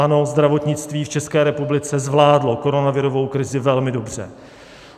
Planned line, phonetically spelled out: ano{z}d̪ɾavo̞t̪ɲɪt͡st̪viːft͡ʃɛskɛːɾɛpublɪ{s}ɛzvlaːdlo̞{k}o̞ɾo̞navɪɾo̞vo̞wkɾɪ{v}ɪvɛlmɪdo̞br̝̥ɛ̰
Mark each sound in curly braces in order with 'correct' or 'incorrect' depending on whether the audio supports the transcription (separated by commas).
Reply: correct, incorrect, correct, incorrect